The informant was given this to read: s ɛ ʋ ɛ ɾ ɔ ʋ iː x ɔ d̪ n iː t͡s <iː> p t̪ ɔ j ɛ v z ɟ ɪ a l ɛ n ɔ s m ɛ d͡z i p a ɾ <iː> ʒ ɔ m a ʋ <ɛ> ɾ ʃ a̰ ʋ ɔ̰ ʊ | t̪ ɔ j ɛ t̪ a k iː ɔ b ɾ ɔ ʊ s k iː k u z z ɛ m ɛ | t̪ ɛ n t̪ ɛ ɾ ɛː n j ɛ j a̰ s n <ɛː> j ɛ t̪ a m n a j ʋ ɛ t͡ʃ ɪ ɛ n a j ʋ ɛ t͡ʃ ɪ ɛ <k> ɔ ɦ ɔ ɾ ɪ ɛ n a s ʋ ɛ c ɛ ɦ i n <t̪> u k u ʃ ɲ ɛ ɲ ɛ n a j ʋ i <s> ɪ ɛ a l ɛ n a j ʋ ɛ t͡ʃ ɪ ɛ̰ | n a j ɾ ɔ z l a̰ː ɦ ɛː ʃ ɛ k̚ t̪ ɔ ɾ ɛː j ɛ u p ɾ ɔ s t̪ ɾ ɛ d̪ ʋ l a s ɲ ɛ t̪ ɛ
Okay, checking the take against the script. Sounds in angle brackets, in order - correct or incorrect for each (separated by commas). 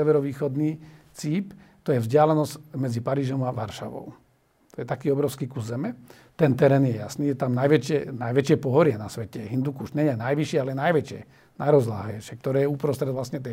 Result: correct, correct, incorrect, incorrect, incorrect, incorrect, incorrect